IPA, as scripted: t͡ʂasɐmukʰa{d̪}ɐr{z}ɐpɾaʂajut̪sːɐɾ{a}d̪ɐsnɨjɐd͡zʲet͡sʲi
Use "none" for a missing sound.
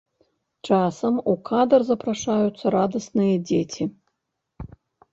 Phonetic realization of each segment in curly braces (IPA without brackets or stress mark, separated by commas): d̪, z, a